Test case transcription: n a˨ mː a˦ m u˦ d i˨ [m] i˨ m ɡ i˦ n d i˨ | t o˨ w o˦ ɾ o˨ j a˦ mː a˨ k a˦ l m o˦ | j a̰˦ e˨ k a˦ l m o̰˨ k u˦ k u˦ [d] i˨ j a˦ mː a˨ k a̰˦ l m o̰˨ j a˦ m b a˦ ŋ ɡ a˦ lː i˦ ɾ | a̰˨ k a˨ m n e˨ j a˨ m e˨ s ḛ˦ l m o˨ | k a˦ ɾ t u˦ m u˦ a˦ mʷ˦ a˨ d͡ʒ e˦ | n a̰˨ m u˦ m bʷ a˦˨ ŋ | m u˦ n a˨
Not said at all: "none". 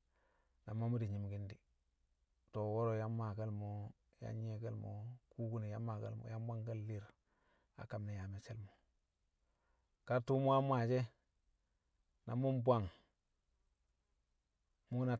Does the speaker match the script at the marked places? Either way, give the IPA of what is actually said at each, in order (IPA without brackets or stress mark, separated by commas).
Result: ɲ, n